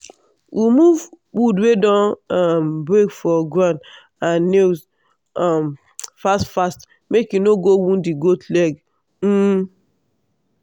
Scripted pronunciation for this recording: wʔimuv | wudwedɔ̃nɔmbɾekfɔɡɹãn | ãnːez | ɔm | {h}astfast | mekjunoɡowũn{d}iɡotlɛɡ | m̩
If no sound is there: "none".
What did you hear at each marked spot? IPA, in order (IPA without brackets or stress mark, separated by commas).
f, d